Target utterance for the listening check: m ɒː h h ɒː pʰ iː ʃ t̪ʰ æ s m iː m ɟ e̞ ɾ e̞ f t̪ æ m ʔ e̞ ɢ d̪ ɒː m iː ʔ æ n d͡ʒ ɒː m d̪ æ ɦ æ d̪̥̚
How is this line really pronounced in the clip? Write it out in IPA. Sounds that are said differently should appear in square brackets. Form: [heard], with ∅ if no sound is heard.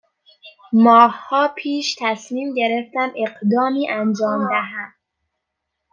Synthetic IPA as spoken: m ɒː h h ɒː pʰ iː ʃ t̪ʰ æ s m iː m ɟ e̞ ɾ e̞ f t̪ æ m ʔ e̞ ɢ d̪ ɒː m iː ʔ æ n d͡ʒ ɒː m d̪ æ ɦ æ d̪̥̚